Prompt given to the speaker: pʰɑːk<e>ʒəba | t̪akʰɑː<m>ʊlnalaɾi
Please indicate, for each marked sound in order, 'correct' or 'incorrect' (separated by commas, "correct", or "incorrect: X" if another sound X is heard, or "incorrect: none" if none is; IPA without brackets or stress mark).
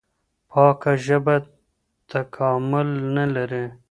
incorrect: a, correct